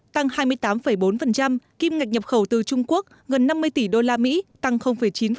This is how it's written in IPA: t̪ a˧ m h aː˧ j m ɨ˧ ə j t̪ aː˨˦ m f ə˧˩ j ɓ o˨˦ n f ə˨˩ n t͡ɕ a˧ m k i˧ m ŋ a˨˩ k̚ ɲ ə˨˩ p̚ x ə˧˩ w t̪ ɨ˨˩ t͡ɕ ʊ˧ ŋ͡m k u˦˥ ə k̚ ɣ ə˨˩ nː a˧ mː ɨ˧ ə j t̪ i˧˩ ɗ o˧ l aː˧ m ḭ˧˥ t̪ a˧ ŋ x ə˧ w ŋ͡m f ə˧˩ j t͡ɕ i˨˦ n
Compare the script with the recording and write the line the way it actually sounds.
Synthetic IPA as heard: t̪ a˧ ŋ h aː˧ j m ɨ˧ ə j t̪ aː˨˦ m f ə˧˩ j ɓ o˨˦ n f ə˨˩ n t͡ɕ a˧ m k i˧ m ŋ a˨˩ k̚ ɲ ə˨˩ p̚ x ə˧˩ w t̪ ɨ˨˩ t͡ɕ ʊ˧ ŋ͡m k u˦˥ ə k̚ ɣ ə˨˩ nː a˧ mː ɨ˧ ə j t̪ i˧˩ ɗ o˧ l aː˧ m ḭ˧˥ t̪ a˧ ŋ x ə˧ w ŋ͡m f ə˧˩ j t͡ɕ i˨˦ n